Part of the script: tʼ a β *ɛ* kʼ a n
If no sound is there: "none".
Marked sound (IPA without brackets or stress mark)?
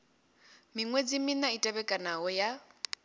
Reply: ɛ